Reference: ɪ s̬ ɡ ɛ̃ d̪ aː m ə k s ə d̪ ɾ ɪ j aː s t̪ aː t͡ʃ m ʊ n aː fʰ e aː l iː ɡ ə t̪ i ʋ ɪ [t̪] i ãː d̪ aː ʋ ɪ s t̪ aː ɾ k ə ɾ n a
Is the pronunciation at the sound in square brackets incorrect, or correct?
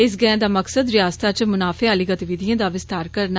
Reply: incorrect